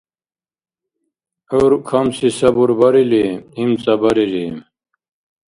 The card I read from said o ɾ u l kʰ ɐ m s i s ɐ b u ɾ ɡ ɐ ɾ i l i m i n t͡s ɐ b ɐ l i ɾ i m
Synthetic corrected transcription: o ɾ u kʰ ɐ m s i s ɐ b u ɾ b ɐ ɾ i l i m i m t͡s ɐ b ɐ ɾ i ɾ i m